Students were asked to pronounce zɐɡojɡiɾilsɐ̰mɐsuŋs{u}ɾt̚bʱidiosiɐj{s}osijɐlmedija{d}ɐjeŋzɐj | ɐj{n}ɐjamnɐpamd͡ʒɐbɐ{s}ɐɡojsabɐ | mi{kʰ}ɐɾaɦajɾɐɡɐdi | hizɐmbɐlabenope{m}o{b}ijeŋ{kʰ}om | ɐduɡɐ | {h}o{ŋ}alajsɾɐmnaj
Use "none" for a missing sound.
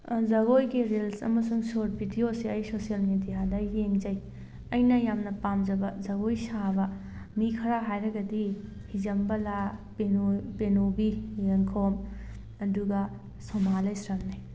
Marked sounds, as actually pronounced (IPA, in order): o, s, d, n, z, kʰ, n, b, kʰ, s, m

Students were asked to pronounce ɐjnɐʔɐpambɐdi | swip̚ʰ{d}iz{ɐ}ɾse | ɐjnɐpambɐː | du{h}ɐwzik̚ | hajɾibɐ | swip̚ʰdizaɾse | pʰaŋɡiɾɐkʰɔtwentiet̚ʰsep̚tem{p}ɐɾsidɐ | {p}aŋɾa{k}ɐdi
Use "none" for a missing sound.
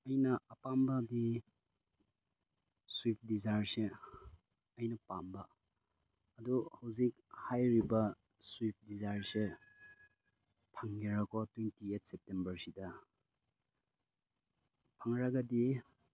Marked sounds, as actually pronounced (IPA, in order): d, a, h, b, pʰ, ɡ

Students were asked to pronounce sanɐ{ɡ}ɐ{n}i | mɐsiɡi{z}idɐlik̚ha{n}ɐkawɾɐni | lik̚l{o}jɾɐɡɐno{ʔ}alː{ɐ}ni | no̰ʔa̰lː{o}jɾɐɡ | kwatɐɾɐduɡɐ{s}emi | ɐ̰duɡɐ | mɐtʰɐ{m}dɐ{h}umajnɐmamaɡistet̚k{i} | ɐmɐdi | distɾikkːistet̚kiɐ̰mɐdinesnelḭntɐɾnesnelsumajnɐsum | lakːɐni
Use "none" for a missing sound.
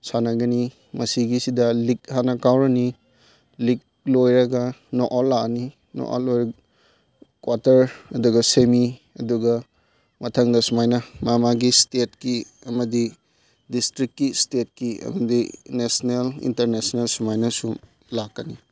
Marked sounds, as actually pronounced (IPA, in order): ɡ, n, s, n, o, ʔ, a, o, s, ŋ, s, i

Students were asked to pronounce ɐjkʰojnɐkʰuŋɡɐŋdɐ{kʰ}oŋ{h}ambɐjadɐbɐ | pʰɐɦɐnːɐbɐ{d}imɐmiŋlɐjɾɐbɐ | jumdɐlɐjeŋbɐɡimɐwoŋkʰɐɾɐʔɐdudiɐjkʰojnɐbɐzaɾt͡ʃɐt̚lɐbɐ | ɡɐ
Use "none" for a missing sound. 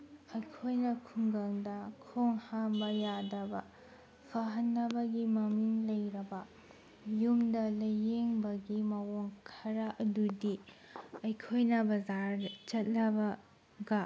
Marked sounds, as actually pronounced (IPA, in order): kʰ, h, ɡ

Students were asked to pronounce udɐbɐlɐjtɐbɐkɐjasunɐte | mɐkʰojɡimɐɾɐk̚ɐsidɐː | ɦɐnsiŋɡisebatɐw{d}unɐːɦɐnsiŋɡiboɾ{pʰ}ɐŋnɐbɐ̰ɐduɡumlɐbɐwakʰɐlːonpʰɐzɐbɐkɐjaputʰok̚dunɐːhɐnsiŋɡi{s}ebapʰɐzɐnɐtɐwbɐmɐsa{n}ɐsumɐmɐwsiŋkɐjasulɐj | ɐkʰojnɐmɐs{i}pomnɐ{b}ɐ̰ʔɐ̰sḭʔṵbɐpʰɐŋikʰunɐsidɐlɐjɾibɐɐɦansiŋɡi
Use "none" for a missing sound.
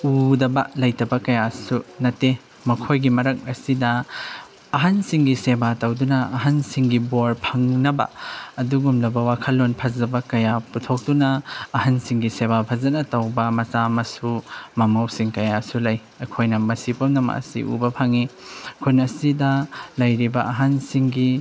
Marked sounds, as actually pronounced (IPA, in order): d, pʰ, s, m, i, m

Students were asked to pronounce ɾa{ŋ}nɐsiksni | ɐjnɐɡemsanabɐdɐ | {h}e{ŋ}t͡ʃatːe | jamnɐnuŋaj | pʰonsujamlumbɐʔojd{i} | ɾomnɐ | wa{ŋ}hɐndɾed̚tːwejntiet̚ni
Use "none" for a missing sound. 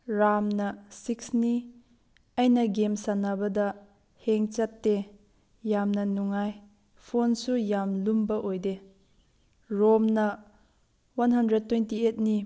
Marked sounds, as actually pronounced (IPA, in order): m, h, ŋ, e, n

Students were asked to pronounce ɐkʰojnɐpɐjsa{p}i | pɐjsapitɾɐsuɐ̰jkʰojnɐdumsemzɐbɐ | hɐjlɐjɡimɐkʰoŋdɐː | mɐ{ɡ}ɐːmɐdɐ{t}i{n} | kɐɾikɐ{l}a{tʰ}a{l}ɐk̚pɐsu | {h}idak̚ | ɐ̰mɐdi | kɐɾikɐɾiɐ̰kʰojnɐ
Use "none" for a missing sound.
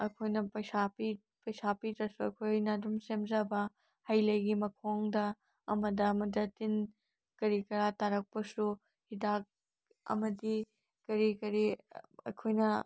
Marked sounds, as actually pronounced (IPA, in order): p, d, t, n, ɾ, t, ɾ, h

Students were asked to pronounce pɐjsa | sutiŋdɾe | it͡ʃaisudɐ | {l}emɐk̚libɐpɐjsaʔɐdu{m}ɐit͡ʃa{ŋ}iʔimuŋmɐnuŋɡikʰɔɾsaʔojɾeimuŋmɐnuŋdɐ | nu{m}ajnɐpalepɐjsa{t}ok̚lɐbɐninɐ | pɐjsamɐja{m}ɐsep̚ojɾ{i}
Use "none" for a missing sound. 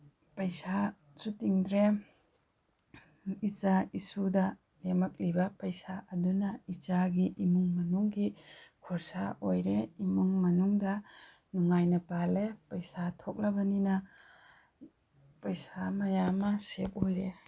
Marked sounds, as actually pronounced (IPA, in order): l, n, ɡ, ŋ, tʰ, m, e

